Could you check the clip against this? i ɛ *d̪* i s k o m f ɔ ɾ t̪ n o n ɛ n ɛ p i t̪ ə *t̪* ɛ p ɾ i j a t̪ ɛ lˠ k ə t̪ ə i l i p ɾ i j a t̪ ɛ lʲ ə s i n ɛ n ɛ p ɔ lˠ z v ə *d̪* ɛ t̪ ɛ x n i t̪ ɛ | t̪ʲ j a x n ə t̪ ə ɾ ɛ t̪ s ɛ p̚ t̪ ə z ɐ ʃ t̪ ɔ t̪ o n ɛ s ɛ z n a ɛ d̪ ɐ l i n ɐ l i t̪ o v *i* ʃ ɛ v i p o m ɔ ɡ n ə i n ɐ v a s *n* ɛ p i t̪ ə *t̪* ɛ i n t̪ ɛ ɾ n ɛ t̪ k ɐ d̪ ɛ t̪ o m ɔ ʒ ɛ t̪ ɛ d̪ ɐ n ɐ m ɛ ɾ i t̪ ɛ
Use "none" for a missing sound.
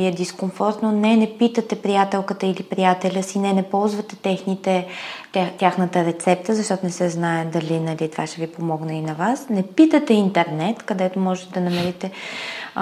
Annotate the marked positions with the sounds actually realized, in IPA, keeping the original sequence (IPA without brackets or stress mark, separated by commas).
d̪, t̪, t̪, a, n, t̪